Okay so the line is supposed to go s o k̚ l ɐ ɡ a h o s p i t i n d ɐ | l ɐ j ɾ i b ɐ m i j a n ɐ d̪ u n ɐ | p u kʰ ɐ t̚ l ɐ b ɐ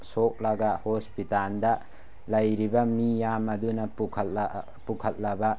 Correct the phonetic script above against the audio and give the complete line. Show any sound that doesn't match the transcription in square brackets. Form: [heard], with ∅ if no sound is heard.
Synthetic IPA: s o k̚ l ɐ ɡ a h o s p i t [a] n d ɐ | l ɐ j ɾ i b ɐ m i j a [m] ɐ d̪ u n ɐ | p u kʰ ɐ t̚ l ɐ b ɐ